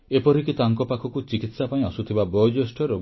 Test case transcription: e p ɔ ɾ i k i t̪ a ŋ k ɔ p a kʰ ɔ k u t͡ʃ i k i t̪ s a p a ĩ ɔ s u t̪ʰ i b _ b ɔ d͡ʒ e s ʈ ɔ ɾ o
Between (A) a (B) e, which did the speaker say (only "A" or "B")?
A